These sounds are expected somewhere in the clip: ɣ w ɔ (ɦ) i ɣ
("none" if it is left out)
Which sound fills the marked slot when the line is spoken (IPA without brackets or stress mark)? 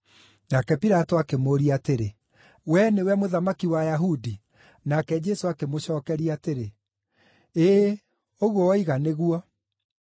none